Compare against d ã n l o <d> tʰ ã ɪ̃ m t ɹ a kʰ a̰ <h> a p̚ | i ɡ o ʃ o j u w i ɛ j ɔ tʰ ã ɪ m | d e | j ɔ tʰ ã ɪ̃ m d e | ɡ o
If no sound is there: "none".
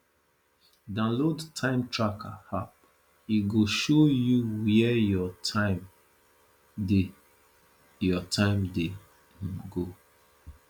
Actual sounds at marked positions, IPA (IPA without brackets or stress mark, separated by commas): d, h